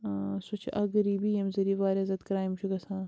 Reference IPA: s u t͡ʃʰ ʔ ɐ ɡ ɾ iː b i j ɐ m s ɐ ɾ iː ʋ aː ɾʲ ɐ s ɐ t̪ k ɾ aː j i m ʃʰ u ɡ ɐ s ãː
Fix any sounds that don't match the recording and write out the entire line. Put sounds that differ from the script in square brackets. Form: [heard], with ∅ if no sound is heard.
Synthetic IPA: s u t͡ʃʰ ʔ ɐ ɡ ɾ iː b i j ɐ m [z] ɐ ɾ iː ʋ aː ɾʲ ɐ [z] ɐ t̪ k ɾ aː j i m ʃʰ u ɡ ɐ s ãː